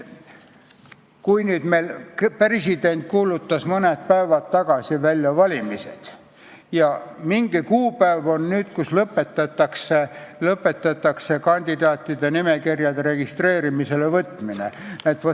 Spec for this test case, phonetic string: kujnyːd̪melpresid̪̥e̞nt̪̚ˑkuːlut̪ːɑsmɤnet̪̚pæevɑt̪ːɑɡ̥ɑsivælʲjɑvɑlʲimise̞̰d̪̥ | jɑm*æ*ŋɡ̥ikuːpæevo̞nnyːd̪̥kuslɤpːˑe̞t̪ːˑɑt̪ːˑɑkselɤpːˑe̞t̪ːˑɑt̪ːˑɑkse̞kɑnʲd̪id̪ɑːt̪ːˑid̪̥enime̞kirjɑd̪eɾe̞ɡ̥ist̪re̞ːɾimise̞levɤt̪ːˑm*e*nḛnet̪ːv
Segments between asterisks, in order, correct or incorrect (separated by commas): incorrect, incorrect